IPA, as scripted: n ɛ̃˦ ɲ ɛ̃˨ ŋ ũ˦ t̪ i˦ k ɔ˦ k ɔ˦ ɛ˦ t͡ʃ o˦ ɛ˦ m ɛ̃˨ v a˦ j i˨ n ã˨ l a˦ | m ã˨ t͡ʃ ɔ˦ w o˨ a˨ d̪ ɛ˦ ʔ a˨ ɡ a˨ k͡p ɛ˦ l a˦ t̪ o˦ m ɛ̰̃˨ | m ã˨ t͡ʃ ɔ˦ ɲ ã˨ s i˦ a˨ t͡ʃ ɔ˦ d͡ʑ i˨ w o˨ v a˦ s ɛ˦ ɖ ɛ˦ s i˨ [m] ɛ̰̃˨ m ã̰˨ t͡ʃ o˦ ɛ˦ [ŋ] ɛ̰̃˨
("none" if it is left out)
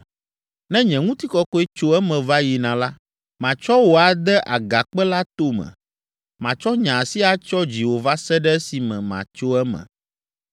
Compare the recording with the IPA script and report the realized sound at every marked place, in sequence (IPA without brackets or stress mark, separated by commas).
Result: m, m